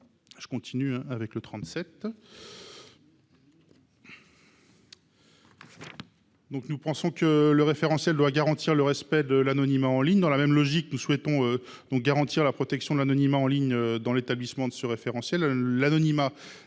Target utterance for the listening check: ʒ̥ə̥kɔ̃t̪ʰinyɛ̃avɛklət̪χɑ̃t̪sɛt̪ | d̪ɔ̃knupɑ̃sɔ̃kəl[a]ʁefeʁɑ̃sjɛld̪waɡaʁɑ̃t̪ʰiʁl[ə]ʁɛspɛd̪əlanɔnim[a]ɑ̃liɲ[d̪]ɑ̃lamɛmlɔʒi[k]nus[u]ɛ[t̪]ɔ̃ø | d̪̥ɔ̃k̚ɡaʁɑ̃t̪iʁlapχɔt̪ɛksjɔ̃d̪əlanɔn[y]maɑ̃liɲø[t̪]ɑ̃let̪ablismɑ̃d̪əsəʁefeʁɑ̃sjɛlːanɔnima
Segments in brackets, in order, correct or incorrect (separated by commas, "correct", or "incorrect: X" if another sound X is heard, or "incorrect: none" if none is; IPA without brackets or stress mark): incorrect: ə, correct, correct, correct, correct, incorrect: w, correct, incorrect: i, incorrect: d̪